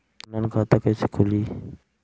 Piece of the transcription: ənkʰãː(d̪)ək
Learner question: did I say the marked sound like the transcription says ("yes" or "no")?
no